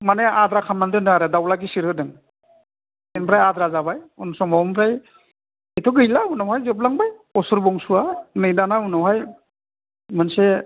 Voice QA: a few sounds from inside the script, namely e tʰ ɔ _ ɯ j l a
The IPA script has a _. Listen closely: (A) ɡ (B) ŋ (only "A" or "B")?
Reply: A